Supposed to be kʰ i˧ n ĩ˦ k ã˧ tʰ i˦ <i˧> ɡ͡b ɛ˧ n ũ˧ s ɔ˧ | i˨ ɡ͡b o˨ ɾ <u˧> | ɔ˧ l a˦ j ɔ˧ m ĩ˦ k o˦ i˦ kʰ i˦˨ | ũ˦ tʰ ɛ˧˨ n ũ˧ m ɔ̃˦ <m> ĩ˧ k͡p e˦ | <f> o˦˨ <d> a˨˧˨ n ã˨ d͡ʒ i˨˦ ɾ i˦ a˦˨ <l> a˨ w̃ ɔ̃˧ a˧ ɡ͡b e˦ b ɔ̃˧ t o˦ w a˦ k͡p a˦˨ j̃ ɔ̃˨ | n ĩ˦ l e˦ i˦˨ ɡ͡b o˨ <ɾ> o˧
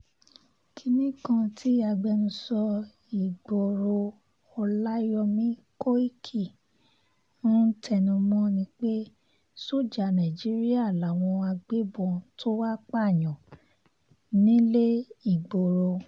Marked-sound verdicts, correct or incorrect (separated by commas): incorrect, incorrect, incorrect, incorrect, incorrect, correct, correct